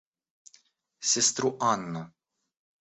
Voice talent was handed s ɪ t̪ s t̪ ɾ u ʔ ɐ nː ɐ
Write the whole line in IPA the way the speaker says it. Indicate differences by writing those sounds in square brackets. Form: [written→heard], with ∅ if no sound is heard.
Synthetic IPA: s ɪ [t̪→∅] s t̪ ɾ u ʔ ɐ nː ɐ